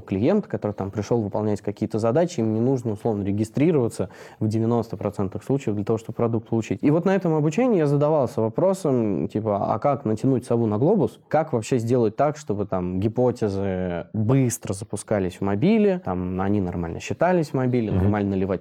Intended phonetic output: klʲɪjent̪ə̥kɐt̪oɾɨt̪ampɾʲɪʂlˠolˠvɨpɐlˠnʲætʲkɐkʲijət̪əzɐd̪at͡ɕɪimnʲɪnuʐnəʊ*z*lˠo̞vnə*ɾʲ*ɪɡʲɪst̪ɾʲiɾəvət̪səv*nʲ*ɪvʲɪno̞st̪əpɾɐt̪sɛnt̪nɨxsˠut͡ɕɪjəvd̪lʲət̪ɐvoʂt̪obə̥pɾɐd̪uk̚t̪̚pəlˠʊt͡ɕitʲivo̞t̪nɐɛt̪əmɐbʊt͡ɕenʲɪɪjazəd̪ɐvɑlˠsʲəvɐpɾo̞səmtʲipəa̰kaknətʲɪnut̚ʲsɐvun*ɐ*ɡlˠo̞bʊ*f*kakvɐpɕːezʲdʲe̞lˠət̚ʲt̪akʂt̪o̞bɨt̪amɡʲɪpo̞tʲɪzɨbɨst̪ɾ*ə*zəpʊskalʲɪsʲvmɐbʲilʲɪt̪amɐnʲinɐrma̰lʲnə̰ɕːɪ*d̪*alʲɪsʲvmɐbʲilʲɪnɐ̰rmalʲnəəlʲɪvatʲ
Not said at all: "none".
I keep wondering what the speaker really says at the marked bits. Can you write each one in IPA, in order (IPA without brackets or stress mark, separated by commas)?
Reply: s, ɾʲ, dʲ, ɐ, s, ə, t̪